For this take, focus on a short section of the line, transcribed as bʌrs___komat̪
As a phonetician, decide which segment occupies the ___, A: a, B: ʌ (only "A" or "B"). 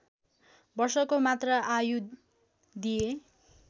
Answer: B